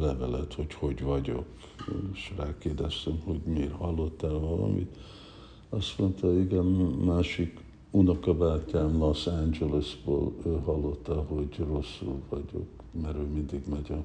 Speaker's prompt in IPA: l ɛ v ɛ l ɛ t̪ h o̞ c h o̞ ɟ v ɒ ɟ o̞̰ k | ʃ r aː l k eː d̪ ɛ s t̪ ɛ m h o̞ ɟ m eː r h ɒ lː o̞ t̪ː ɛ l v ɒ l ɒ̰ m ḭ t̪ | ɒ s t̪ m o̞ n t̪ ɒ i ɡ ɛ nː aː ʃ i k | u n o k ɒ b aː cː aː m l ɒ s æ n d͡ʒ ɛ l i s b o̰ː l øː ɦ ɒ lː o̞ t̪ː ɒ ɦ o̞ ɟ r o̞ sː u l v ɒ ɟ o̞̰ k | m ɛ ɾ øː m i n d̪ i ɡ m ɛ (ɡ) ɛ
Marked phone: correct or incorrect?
incorrect